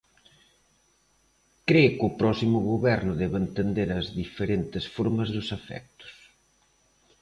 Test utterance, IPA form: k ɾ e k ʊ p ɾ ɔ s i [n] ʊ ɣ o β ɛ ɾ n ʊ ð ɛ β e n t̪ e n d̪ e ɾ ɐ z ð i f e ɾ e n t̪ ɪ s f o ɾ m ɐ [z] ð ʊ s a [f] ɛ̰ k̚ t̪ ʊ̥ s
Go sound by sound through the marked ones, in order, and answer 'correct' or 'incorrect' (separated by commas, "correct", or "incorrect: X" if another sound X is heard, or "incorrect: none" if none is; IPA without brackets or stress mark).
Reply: incorrect: m, correct, correct